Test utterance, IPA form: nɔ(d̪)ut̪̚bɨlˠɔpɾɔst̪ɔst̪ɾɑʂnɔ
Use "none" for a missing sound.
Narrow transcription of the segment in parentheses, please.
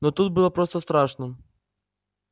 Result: t̪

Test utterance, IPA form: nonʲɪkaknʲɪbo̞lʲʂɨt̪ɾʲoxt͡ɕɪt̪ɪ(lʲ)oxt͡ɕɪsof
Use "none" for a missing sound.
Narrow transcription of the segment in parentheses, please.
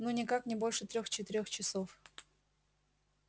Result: ɾʲ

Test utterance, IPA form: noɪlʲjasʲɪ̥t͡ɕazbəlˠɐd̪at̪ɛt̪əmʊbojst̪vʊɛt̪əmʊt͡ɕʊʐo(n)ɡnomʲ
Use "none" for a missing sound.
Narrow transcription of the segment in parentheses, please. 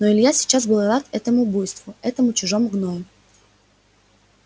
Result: m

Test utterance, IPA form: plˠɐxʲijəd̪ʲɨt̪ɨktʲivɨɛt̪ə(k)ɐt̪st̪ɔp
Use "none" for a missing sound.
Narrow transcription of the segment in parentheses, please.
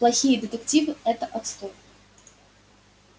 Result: ʔ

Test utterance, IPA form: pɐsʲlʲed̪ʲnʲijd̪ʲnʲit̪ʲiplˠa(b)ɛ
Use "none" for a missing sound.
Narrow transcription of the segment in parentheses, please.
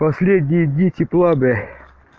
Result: b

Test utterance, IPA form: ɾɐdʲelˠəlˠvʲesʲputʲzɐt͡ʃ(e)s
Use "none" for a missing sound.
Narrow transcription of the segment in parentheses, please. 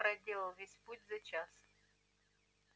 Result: a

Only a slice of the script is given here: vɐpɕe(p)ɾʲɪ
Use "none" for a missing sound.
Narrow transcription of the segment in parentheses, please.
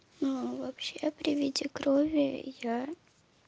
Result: p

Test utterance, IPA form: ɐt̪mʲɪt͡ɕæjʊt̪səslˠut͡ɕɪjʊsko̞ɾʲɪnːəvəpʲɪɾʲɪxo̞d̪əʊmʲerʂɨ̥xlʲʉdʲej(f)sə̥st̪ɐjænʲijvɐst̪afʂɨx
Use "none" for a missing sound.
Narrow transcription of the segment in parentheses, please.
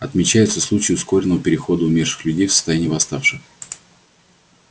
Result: f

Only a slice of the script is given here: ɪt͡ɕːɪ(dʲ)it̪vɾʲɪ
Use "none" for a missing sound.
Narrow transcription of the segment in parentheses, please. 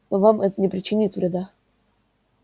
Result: nʲ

